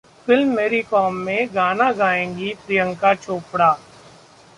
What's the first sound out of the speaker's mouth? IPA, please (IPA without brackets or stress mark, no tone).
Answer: f